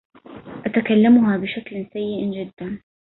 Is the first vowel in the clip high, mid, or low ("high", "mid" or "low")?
low